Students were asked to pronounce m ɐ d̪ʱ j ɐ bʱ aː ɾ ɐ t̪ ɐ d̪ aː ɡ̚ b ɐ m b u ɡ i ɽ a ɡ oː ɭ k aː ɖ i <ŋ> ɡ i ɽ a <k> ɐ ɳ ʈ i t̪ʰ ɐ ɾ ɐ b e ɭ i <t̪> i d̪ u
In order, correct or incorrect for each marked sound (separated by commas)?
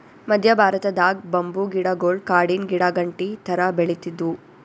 incorrect, incorrect, correct